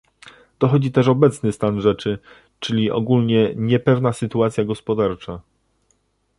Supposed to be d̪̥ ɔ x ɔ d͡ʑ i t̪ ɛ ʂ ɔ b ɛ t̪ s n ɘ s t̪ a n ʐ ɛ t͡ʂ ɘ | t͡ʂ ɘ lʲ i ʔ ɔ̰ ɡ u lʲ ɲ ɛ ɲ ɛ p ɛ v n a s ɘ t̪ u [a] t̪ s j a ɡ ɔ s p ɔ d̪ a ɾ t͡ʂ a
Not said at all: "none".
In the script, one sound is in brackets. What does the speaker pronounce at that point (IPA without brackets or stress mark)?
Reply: a